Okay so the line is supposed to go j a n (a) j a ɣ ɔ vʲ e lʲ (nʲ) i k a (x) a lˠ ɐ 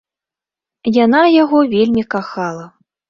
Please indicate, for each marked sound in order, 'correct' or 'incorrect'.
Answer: correct, incorrect, correct

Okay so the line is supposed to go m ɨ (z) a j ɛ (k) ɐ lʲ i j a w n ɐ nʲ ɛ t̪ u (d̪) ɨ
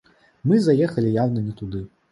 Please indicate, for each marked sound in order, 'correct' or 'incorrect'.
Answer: correct, incorrect, correct

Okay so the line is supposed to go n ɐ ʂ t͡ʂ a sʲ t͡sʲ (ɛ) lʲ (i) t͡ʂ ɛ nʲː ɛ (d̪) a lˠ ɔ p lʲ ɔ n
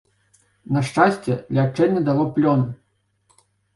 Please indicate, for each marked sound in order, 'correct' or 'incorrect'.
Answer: correct, incorrect, correct

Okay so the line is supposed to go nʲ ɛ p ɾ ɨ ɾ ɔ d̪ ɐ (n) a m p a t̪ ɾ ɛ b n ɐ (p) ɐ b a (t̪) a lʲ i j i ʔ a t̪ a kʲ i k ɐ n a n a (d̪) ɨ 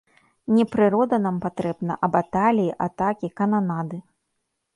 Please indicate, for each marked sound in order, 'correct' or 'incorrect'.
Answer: correct, incorrect, correct, correct

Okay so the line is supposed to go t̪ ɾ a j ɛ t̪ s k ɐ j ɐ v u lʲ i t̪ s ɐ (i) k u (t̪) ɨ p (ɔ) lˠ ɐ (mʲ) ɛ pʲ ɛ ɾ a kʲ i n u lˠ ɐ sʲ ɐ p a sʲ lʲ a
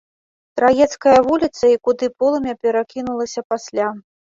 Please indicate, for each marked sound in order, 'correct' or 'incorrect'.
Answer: correct, incorrect, correct, correct

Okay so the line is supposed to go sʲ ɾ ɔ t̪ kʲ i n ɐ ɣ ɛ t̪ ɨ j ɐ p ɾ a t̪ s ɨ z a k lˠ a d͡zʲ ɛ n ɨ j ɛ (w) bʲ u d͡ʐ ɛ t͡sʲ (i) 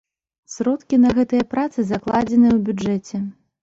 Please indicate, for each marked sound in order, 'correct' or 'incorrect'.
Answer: correct, incorrect

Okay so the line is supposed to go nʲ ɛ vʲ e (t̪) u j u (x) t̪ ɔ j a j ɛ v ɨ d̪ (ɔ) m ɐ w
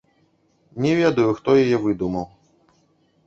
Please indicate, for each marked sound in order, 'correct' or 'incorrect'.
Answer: incorrect, correct, incorrect

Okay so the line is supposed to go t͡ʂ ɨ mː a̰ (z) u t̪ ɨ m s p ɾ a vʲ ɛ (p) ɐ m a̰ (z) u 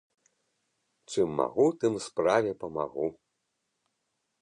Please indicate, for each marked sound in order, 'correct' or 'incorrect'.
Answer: incorrect, correct, incorrect

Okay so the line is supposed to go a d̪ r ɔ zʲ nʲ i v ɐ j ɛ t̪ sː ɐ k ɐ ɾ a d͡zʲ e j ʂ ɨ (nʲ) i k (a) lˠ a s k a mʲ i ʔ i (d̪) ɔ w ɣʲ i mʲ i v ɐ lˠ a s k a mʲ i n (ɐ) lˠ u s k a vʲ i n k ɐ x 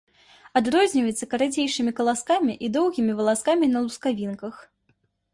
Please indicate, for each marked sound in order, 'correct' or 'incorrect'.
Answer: incorrect, incorrect, correct, correct

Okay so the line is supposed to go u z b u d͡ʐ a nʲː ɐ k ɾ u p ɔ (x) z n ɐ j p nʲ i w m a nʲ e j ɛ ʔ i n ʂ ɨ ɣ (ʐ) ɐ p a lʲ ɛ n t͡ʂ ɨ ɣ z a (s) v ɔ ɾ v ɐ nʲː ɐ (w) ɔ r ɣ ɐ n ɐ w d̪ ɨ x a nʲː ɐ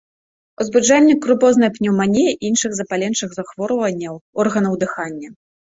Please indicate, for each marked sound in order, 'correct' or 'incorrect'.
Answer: incorrect, incorrect, incorrect, correct

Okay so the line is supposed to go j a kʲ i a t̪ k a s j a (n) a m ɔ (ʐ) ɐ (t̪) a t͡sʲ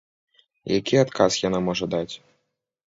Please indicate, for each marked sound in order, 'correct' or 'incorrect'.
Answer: correct, correct, incorrect

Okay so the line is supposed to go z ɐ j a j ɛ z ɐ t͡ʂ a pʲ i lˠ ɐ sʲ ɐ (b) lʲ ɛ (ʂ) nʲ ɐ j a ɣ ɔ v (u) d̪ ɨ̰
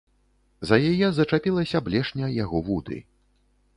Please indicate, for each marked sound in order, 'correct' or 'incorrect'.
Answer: correct, correct, correct

